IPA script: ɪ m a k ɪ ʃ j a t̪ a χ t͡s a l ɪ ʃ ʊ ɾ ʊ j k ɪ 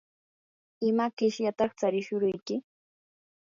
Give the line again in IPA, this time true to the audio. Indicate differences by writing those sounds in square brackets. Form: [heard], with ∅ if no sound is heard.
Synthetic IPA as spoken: ɪ m a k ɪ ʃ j a t̪ [ɑ] χ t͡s a [ɾ] ɪ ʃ ʊ ɾ ʊ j k ɪ